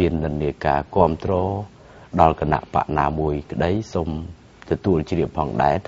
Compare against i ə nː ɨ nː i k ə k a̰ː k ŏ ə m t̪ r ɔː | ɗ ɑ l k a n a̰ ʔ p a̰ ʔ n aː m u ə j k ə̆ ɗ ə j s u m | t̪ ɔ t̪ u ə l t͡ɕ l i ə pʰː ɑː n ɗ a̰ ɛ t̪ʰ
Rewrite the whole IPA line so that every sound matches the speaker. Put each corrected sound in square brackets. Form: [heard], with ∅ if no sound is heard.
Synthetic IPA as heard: i ə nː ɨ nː i [∅] ə k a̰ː k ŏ ə m t̪ r ɔː | ɗ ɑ l k a n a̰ ʔ p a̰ ʔ n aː m u ə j k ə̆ ɗ ə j s [o] m | t̪ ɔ t̪ u ə l t͡ɕ [r] i ə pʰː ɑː [ŋ] ɗ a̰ ɛ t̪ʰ